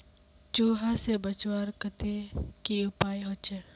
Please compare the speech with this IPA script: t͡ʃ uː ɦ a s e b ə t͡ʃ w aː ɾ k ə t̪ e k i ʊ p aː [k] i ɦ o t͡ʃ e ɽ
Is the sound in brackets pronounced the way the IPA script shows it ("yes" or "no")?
no